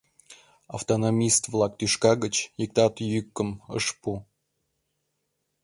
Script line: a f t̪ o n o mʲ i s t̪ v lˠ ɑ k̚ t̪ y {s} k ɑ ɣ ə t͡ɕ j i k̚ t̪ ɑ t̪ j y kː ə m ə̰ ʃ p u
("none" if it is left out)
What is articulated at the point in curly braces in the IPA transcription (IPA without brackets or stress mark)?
ʃ